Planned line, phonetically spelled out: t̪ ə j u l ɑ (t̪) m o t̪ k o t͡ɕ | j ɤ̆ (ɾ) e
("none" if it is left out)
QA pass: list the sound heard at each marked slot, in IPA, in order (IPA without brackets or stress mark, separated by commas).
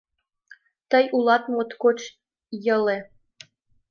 t̪, l